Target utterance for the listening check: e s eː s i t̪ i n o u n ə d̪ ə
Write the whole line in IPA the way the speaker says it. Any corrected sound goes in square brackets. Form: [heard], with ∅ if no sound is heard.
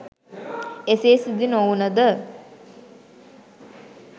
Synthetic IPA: e s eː s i [d̪] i n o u n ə d̪ ə